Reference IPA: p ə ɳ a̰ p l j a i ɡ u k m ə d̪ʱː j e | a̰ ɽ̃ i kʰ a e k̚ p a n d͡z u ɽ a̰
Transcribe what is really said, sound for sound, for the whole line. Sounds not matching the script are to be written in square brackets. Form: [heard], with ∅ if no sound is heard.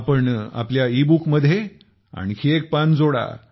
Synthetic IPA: p ə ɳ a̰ p l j a i [b] u k m ə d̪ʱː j e | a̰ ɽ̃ i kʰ [i] e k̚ p a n d͡z [o] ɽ a̰